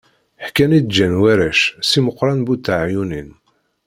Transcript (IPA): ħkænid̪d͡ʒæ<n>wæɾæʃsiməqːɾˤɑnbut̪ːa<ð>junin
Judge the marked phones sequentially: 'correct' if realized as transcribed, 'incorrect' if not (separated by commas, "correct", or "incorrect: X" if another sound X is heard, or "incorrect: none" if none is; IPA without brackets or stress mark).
correct, incorrect: ʕ